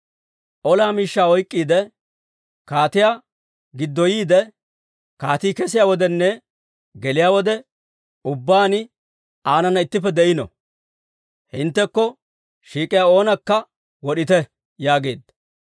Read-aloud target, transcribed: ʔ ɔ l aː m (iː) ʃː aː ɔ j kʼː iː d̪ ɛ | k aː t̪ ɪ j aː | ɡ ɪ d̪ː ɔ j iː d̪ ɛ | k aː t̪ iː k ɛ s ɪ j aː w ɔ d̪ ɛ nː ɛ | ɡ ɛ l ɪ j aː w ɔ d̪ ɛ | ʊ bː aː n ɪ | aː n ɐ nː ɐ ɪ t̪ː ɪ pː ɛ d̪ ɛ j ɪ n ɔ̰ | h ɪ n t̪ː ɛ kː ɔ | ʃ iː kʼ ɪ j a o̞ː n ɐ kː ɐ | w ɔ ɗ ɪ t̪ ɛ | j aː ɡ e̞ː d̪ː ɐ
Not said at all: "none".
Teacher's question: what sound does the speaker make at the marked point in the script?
iː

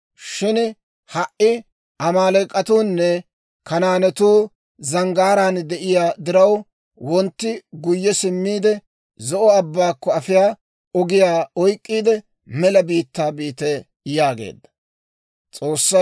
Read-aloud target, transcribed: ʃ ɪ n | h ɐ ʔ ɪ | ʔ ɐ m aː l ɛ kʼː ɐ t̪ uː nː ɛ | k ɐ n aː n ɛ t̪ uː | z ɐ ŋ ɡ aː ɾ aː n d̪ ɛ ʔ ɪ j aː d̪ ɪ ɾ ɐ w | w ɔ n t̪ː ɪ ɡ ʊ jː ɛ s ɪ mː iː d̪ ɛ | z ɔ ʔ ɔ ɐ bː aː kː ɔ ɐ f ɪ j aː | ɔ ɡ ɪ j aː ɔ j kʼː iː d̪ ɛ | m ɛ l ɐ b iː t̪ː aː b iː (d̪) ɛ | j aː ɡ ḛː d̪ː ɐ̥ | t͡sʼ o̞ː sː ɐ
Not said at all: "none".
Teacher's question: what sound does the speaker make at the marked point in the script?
t̪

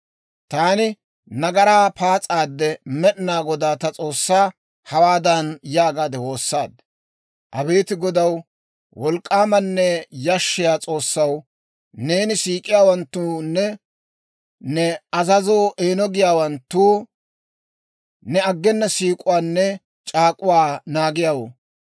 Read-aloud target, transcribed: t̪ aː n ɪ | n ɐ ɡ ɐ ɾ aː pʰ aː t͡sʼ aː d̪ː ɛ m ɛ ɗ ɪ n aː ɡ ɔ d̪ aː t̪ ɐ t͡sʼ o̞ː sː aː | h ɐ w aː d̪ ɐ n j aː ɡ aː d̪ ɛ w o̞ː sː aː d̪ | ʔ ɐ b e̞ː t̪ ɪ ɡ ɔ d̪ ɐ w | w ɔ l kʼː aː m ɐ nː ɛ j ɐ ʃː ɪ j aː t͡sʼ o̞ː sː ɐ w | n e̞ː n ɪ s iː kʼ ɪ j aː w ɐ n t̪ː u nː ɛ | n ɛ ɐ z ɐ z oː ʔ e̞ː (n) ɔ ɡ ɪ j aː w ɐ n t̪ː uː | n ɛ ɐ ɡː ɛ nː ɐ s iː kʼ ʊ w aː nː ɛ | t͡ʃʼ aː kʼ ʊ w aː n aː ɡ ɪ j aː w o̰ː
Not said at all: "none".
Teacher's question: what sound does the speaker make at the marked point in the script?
n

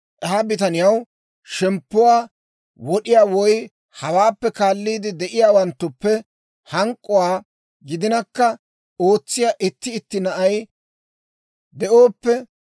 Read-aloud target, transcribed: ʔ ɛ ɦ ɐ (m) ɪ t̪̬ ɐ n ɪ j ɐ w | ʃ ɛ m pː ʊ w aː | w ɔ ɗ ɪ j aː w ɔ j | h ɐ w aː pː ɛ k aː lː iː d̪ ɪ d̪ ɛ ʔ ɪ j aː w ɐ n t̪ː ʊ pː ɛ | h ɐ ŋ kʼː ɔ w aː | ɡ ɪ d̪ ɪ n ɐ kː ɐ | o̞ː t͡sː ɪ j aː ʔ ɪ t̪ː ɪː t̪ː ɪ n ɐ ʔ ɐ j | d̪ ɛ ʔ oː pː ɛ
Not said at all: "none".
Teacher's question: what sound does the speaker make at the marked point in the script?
b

